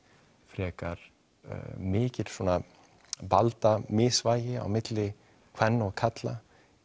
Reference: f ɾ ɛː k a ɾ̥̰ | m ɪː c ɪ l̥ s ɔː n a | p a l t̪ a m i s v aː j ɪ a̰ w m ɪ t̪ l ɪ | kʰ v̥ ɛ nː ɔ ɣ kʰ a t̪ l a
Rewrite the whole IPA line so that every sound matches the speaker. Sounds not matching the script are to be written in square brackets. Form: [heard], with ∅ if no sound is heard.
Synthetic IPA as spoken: f ɾ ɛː k a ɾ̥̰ | m ɪː c ɪ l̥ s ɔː n a | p a l t̪ a m [ɪ] s v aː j ɪ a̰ w m ɪ t̪ l ɪ | kʰ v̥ ɛ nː ɔ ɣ kʰ a t̪ l a